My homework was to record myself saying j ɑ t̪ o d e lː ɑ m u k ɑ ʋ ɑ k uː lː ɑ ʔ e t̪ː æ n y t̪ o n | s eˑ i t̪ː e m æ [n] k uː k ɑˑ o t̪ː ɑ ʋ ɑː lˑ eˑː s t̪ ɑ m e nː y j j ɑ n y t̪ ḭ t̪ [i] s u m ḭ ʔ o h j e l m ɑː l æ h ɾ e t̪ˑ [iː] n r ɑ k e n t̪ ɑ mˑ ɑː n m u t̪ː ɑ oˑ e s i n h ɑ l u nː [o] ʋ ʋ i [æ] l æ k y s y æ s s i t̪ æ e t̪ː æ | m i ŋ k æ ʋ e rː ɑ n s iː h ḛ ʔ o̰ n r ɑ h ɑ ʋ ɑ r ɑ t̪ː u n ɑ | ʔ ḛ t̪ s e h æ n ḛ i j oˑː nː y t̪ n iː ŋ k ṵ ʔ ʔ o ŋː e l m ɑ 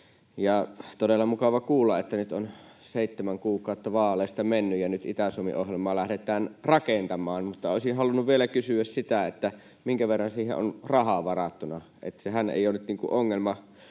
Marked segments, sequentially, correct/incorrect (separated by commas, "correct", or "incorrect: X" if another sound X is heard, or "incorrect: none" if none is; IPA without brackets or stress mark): incorrect: ŋ, incorrect: æ, incorrect: æː, incorrect: u, incorrect: e